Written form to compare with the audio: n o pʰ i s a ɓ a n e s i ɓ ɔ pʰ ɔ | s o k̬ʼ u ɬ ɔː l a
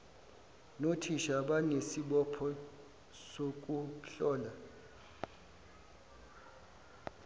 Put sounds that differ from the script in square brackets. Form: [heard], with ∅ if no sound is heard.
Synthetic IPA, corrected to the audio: n o [tʰ] i [ʃ] a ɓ a n e s i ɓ ɔ pʰ ɔ | s o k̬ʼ u ɬ ɔː l a